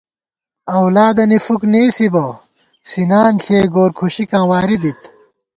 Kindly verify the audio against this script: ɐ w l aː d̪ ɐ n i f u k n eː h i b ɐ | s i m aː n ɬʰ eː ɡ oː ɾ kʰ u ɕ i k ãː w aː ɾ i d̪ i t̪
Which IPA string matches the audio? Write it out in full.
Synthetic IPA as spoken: ɐ w l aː d̪ ɐ n i f u k n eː s i b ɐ | s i n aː n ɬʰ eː ɡ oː ɾ kʰ u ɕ i k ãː w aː ɾ i d̪ i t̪